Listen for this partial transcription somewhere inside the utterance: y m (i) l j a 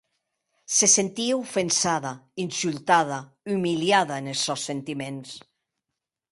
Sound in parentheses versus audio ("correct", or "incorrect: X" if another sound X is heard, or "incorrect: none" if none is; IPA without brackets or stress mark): correct